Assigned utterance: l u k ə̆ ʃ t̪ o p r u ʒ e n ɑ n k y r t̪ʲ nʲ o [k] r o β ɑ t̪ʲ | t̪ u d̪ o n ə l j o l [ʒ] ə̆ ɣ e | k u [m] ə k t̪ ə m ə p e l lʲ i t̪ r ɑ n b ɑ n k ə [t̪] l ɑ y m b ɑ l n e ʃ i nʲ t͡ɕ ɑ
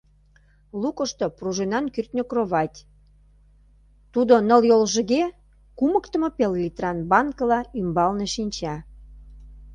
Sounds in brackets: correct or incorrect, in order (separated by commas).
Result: correct, correct, correct, incorrect